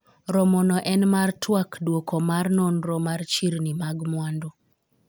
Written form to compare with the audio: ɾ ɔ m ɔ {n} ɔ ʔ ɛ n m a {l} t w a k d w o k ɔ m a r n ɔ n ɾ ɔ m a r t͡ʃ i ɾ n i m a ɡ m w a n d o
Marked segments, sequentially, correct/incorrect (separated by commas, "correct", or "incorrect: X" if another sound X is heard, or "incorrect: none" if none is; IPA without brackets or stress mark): correct, incorrect: r